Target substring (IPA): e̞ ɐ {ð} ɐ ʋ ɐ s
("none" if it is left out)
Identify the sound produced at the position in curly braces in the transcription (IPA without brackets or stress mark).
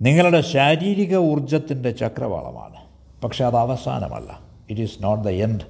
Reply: ð